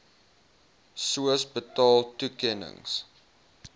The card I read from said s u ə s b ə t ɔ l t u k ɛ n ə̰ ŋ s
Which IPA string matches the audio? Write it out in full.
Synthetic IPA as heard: s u ə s b ə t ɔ l t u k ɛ n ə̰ ŋ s